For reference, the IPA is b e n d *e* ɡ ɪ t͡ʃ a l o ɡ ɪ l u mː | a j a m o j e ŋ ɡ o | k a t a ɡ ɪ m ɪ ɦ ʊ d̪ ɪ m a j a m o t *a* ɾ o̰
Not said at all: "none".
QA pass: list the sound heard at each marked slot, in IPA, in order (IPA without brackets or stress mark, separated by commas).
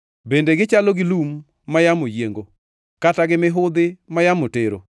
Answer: e, e